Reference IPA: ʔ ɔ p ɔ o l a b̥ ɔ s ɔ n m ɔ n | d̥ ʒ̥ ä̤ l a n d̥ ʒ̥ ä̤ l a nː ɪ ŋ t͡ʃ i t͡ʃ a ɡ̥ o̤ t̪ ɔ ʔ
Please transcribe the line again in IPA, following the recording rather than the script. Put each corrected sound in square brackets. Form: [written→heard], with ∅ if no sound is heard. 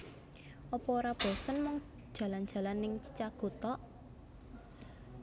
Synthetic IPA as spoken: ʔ ɔ p ɔ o [l→ɾ] a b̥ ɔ s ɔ n m ɔ [n→ŋ] | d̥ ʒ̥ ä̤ l a n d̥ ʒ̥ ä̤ l a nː ɪ ŋ t͡ʃ i t͡ʃ a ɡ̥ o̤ t̪ ɔ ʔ